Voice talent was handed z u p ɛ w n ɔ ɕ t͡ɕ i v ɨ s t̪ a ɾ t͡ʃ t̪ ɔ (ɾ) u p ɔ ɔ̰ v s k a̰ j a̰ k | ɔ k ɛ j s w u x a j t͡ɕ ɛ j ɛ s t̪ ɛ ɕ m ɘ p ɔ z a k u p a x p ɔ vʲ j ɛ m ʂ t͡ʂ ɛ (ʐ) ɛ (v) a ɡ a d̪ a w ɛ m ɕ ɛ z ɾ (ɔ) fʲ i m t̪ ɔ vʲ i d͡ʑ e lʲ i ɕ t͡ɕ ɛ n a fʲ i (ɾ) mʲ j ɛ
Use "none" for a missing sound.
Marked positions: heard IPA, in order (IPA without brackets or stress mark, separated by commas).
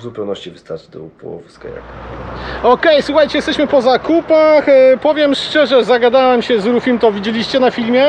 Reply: none, ʐ, z, u, l